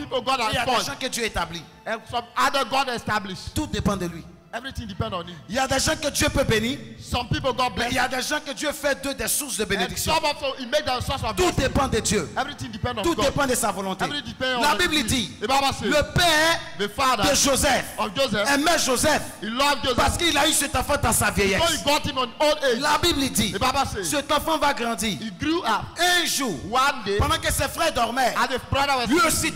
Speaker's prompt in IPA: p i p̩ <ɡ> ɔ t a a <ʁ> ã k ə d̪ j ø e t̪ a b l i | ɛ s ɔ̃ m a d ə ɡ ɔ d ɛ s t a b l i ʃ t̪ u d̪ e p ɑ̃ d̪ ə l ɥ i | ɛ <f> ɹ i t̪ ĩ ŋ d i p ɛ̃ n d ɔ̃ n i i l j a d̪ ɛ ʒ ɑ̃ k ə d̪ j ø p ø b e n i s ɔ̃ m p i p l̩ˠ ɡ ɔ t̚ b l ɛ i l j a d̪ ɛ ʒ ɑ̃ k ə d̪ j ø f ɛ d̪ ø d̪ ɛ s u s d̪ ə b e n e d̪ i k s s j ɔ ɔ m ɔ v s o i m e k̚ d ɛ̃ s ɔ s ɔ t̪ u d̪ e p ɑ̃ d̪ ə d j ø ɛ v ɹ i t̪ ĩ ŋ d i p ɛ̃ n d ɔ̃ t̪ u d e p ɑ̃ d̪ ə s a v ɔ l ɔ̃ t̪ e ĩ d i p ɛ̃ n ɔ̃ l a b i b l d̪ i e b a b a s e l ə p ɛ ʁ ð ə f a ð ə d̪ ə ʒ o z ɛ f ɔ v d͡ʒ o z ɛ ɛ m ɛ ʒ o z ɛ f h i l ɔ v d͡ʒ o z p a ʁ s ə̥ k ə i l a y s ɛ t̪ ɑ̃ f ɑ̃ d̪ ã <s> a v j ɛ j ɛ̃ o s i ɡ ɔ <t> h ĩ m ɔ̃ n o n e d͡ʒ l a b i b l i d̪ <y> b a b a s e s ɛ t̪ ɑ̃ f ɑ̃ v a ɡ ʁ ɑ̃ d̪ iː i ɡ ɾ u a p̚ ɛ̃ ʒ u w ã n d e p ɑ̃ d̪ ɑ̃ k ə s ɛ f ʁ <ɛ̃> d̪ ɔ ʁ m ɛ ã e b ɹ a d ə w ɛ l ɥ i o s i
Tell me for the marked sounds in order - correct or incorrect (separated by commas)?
correct, incorrect, incorrect, correct, correct, incorrect, incorrect